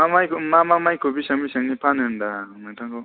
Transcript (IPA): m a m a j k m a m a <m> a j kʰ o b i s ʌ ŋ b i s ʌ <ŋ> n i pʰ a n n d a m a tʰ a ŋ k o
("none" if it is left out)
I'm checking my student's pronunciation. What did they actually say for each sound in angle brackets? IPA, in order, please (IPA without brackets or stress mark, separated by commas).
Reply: m, ŋ